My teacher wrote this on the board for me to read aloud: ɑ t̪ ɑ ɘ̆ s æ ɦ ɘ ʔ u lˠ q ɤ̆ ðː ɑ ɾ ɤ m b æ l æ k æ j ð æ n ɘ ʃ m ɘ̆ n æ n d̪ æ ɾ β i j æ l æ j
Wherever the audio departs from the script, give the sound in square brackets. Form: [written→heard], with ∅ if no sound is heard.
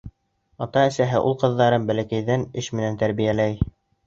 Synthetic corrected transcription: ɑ t̪ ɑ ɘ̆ s æ ɦ ɘ ʔ u lˠ q ɤ̆ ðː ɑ ɾ ɤ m b æ l æ k æ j ð æ n ɘ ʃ m ɘ̆ n æ n [d̪→t̪] æ ɾ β i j æ l æ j